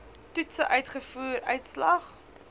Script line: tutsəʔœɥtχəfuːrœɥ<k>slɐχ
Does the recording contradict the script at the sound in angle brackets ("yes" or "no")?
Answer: yes